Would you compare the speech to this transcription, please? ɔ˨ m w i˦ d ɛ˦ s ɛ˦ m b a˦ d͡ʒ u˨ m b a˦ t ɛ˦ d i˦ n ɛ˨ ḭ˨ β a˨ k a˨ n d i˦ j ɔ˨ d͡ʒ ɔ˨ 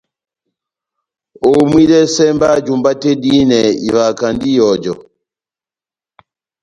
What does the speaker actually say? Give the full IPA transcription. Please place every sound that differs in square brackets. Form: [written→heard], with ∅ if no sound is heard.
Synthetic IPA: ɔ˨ m w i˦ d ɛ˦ s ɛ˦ m b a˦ d͡ʒ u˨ m b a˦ t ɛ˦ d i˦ n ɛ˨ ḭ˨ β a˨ k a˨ n d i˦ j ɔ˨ d͡ʒ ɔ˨